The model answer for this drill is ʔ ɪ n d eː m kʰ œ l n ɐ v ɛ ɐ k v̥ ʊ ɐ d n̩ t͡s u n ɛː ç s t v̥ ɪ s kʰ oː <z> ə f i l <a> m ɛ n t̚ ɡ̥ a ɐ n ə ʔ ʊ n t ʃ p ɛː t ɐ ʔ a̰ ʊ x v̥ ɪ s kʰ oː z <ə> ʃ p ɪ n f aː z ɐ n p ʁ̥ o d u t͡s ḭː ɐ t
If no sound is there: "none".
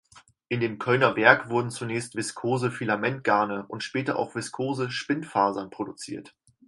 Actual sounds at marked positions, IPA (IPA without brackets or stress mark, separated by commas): z, a, ə